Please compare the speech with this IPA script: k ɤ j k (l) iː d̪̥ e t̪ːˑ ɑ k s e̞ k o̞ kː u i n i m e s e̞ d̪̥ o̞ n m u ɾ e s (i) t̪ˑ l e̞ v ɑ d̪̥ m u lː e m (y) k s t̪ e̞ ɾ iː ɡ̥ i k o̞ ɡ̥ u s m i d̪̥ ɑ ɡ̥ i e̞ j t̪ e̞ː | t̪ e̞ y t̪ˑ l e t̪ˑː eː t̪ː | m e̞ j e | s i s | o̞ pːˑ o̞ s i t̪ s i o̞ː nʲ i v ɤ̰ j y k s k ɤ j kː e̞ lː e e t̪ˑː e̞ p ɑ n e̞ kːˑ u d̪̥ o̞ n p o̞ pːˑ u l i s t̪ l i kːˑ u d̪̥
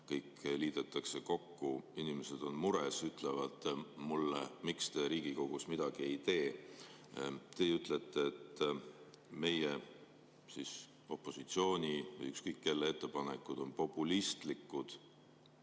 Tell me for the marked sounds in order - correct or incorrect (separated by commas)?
correct, incorrect, incorrect